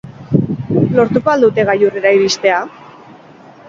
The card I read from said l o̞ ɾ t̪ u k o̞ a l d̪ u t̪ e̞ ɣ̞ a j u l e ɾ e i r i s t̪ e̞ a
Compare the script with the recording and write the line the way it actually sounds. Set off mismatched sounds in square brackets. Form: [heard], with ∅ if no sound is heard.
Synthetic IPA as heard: l o̞ ɾ t̪ u k o̞ a l d̪ u t̪ e̞ ɣ̞ a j u [r] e ɾ [a] i [ɾ] i s t̪ e̞ a